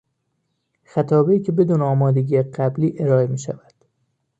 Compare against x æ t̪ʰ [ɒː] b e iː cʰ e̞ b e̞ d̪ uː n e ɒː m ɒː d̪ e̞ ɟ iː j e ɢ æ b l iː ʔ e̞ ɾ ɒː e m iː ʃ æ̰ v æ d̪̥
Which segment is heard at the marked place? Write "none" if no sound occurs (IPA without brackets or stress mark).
ɒː